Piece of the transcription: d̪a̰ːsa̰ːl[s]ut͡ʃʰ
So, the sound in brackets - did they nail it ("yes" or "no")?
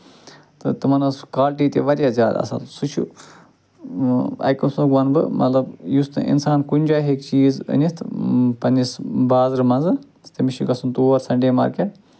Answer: yes